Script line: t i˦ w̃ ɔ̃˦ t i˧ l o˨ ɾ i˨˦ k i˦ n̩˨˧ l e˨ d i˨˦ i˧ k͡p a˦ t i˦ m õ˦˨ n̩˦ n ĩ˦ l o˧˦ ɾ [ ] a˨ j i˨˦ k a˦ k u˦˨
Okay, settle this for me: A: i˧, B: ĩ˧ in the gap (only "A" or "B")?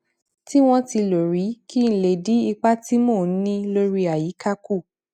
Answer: A